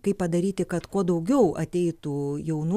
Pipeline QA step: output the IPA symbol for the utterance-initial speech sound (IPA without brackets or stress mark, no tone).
k